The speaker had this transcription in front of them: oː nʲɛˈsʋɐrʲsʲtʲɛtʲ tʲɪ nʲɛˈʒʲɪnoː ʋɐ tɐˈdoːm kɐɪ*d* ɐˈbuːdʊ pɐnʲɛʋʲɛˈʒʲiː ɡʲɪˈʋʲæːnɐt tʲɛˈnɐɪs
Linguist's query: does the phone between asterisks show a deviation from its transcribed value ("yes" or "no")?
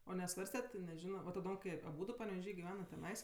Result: yes